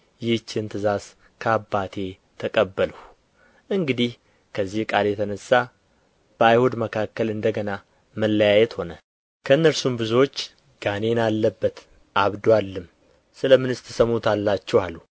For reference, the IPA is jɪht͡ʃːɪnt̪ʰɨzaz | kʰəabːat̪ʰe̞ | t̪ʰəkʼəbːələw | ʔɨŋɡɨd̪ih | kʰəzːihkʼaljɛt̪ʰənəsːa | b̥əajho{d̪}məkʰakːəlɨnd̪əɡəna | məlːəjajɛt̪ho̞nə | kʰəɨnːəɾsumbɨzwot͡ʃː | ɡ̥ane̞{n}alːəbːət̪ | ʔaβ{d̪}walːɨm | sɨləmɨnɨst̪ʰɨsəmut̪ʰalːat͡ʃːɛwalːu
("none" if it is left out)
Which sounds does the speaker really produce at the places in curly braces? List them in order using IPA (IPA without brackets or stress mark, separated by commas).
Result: d̪, n, d̪